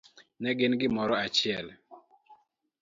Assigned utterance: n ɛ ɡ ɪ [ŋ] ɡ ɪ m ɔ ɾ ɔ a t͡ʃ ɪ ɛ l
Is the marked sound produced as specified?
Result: no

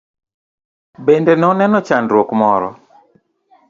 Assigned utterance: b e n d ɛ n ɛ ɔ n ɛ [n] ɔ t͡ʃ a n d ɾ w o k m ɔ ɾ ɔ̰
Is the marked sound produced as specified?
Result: yes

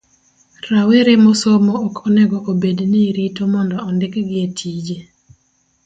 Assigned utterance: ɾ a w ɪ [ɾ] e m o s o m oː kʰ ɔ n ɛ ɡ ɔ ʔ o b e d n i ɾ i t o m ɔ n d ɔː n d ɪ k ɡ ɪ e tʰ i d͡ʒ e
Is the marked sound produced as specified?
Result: yes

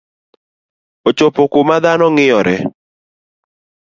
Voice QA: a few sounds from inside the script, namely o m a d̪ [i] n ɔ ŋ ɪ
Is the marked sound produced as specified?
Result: no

